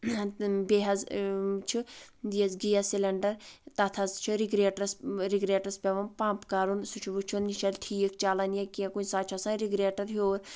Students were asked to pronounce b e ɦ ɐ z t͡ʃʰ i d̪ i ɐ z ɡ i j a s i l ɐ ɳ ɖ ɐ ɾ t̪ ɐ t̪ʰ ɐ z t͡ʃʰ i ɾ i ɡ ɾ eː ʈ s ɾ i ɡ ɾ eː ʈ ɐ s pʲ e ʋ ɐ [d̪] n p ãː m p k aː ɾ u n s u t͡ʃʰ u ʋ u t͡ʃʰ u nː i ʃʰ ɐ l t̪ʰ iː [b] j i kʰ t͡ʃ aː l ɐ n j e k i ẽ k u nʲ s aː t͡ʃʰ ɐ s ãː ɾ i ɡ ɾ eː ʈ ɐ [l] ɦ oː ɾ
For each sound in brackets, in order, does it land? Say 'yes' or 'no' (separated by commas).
no, no, no